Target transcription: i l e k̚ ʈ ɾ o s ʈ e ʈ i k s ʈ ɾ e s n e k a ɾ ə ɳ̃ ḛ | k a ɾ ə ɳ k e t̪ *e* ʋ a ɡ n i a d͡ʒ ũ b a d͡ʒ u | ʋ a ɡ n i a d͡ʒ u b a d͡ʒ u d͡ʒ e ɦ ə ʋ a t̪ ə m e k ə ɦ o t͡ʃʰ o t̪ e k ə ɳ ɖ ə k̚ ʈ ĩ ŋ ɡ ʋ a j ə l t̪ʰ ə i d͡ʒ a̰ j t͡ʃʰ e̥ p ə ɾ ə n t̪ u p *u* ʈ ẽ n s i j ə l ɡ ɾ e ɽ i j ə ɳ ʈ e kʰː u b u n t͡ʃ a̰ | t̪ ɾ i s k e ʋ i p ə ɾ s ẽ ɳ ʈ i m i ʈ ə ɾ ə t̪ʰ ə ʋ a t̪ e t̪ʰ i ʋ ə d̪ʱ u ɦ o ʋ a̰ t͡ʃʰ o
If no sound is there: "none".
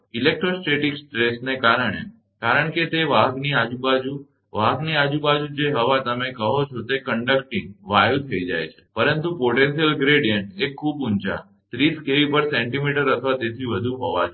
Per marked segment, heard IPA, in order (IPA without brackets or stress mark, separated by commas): e, o